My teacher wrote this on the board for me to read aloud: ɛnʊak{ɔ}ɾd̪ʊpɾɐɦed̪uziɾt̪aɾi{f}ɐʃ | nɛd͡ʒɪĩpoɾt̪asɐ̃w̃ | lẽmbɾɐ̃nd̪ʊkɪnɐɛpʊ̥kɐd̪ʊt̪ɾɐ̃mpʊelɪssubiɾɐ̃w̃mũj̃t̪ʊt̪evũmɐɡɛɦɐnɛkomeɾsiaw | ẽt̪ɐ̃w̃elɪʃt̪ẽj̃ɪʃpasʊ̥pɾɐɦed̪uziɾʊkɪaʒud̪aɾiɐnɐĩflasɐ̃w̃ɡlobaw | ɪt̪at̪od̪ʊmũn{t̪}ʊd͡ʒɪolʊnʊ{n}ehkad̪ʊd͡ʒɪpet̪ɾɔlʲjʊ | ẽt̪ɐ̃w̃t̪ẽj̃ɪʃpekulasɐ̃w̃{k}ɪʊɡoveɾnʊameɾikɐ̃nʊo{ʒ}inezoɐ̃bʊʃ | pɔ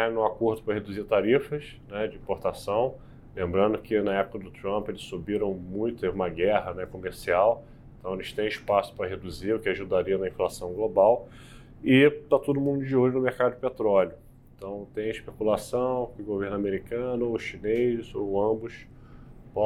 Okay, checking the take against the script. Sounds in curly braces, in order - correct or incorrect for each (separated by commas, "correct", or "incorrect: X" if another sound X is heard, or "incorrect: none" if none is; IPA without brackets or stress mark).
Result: incorrect: o, correct, incorrect: d̪, incorrect: m, correct, incorrect: ʃ